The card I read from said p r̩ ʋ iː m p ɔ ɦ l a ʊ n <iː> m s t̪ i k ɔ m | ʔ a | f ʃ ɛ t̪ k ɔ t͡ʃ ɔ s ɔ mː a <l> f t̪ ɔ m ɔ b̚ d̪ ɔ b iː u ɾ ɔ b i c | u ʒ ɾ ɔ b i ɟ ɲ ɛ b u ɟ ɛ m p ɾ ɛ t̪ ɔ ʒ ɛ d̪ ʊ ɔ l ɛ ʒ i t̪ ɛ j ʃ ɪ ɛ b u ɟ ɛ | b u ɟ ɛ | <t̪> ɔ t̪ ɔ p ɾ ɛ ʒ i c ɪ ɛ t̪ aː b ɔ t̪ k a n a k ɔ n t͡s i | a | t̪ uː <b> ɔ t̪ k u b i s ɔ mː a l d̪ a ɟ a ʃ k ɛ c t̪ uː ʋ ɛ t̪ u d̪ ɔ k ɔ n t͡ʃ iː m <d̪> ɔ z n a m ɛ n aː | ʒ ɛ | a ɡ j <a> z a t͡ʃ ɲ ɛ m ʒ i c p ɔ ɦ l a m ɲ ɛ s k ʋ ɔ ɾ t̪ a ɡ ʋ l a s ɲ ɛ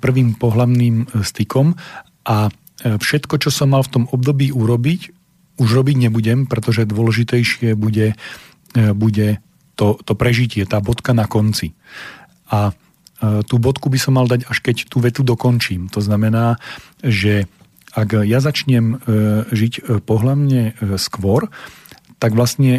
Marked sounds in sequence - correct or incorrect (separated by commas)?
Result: correct, correct, correct, correct, incorrect, correct